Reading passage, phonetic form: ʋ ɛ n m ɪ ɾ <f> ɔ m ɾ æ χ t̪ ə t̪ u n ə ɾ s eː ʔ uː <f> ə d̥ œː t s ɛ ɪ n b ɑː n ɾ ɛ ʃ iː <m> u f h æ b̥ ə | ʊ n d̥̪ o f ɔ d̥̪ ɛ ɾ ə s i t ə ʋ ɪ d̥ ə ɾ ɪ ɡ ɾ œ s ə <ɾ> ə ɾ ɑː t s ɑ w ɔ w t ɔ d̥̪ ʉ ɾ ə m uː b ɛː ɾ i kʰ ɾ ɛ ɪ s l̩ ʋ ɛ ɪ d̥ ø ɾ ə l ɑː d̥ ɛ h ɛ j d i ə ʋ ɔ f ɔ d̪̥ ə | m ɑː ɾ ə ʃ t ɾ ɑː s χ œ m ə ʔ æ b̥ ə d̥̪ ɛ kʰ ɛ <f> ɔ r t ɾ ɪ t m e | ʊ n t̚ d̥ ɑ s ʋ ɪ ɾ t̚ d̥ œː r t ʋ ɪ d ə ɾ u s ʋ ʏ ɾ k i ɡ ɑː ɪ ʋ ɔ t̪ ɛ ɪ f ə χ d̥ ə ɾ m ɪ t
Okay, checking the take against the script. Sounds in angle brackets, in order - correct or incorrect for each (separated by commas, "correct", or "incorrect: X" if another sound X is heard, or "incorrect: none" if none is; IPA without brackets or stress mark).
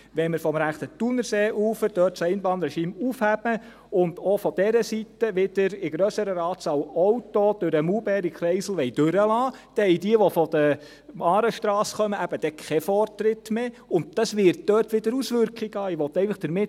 correct, correct, correct, correct, correct